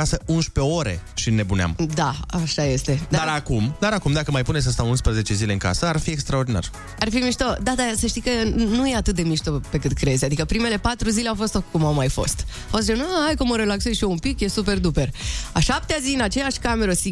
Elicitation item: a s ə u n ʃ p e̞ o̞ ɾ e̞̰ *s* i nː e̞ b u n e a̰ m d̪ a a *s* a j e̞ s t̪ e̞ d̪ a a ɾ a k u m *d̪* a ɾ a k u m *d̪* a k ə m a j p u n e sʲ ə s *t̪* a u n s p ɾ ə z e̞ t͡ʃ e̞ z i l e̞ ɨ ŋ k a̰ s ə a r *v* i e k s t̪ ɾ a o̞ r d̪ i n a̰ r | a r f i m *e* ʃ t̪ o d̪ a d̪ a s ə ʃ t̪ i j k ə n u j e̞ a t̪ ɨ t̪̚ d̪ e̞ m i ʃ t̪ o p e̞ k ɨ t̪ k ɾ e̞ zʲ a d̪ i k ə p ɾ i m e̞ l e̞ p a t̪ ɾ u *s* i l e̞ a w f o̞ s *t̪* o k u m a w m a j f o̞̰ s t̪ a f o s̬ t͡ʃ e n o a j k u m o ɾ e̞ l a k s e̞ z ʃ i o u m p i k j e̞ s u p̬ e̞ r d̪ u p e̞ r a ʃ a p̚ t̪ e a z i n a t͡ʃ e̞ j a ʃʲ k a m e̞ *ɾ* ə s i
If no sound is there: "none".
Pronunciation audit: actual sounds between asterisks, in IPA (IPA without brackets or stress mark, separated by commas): ʃ, ʃ, d̪, d̪, t̪, f, i, z, t̪, ɾ